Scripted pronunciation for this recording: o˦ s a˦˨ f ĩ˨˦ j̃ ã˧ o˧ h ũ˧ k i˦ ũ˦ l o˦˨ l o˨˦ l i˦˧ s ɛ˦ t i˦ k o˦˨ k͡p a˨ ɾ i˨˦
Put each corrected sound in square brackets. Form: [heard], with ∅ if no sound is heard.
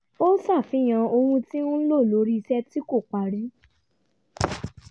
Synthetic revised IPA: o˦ s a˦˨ f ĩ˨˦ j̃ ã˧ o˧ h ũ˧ [t] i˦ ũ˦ l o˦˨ l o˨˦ [ɾ] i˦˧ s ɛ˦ t i˦ k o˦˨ k͡p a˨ ɾ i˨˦